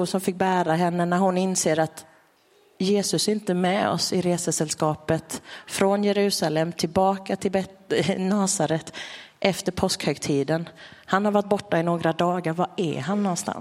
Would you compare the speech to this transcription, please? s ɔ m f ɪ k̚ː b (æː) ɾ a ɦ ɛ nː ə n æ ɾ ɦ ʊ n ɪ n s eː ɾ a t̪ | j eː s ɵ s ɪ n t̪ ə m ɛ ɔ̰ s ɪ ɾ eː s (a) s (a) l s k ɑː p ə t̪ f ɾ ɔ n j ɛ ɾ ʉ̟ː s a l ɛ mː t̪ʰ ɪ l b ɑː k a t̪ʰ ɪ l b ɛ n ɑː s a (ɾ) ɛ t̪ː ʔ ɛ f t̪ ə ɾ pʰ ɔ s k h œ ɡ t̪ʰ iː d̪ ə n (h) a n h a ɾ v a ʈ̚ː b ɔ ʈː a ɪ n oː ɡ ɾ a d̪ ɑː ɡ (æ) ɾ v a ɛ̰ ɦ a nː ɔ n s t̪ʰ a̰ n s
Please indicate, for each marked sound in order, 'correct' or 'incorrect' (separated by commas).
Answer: correct, incorrect, incorrect, correct, correct, incorrect